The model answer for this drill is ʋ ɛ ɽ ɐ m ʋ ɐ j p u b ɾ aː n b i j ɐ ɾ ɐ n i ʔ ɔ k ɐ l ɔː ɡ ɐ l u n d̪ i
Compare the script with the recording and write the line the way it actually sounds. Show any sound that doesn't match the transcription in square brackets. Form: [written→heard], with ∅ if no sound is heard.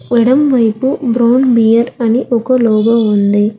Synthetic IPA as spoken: ʋ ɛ ɽ ɐ m ʋ ɐ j p u b ɾ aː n b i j ɐ ɾ ɐ n i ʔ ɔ k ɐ l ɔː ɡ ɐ [l→∅] u n d̪ i